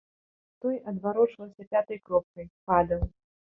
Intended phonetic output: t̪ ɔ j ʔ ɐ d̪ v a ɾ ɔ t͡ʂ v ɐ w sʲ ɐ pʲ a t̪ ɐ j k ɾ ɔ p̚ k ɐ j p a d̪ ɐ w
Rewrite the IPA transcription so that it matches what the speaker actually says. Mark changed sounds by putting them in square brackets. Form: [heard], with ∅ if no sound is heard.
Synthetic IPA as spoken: t̪ ɔ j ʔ ɐ d̪ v a ɾ ɔ t͡ʂ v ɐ w sʲ ɐ pʲ a t̪ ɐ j k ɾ ɔ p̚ k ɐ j p a d̪ ɐ w